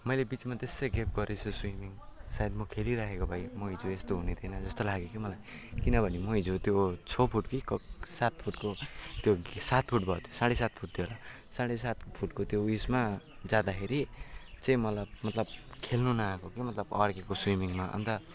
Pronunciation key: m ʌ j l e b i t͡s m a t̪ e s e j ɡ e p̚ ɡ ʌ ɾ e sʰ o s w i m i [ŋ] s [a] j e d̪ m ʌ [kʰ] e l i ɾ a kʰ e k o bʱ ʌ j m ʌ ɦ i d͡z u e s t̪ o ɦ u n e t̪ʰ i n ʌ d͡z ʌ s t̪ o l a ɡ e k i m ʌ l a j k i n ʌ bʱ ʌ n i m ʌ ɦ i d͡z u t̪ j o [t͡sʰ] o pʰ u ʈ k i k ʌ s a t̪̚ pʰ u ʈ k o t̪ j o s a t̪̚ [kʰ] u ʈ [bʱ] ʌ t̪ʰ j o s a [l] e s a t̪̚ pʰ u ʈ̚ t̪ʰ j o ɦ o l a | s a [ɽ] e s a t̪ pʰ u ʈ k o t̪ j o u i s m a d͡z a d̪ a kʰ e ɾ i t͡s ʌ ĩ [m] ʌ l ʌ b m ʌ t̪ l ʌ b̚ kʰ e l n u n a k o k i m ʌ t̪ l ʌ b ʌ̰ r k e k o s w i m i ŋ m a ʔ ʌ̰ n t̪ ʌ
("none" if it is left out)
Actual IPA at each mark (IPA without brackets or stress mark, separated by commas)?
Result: ŋ, a, kʰ, t͡sʰ, pʰ, bʱ, ɽ, ɽ, m